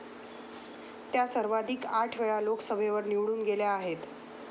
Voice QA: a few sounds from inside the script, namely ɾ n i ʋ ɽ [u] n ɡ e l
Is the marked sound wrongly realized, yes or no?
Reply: yes